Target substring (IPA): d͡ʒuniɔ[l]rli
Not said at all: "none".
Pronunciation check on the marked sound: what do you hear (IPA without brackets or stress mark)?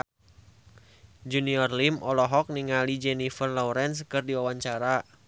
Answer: none